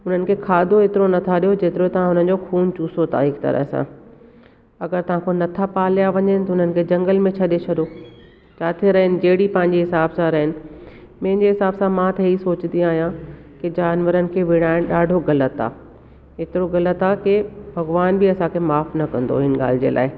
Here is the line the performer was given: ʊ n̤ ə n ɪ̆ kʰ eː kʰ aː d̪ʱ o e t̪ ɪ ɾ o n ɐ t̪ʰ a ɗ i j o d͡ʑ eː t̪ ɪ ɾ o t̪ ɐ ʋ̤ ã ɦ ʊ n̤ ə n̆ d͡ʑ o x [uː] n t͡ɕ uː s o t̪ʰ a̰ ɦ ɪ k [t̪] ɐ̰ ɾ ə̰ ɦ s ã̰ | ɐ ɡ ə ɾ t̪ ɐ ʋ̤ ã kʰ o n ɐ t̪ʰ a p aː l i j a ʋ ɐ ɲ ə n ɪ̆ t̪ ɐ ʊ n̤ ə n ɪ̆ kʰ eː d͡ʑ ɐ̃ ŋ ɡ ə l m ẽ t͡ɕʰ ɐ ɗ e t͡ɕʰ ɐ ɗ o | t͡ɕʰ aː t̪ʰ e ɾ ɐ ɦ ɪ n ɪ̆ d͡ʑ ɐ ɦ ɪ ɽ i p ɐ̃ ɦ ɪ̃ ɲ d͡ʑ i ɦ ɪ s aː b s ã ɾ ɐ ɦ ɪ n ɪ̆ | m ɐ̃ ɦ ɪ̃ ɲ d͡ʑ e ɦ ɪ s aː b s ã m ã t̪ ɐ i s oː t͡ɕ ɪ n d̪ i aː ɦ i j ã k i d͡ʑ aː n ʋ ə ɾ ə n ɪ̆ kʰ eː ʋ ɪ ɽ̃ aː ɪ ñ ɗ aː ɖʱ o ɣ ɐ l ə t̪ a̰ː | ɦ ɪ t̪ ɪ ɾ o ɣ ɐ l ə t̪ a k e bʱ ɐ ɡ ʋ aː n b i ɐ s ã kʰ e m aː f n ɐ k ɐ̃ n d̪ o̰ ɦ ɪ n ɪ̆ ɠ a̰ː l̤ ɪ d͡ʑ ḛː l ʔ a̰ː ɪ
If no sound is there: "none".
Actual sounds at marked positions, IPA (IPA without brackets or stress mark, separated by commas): uː, t̪